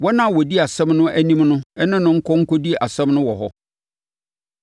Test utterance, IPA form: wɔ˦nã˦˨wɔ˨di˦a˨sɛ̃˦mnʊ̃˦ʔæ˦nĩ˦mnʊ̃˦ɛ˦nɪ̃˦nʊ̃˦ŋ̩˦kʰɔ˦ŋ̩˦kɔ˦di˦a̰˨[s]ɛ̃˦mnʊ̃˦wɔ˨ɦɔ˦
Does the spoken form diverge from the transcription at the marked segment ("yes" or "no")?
no